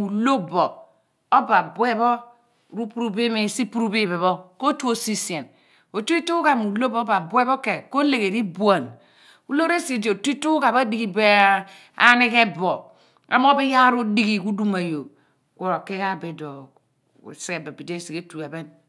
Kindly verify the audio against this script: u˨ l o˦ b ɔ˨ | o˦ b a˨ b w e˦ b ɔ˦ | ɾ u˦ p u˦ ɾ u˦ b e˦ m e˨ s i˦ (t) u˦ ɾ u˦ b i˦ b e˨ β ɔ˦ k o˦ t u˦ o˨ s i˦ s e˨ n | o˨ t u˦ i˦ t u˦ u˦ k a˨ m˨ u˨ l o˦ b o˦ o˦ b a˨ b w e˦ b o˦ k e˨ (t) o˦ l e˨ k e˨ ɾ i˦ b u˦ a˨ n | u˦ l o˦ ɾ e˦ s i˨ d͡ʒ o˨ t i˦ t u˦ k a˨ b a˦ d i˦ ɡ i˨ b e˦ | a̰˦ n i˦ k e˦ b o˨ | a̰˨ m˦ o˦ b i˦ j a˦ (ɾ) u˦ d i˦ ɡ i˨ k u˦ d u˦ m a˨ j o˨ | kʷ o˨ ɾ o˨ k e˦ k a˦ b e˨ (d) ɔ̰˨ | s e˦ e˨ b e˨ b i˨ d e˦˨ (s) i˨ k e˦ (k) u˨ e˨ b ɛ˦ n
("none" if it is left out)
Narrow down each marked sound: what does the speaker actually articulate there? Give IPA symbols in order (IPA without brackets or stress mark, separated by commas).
p, k, ɾ, d, s, t